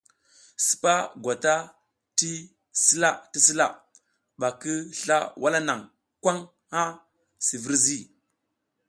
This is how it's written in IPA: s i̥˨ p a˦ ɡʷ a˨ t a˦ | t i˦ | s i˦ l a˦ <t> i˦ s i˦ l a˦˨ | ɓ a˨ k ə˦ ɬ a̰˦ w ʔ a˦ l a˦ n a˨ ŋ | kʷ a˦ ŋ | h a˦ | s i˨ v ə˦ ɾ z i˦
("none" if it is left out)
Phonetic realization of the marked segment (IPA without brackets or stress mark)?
t